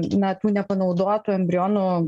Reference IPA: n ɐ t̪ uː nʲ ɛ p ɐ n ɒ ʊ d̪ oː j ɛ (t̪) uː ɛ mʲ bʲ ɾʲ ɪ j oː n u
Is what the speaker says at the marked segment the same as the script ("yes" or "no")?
yes